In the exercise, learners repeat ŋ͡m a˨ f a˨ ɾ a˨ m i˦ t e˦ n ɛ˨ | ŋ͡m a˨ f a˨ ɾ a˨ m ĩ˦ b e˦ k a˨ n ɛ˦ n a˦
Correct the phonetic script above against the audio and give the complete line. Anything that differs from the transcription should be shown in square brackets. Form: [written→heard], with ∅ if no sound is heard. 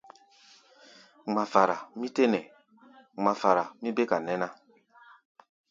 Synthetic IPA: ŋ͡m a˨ f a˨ ɾ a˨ m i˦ t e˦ n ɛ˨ | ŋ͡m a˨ f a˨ ɾ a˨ m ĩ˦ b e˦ k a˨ n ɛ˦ n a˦